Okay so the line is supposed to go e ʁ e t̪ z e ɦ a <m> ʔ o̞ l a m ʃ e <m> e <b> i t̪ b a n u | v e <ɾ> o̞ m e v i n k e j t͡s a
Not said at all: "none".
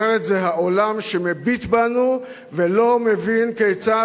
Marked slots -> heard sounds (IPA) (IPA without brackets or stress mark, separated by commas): none, m, b, l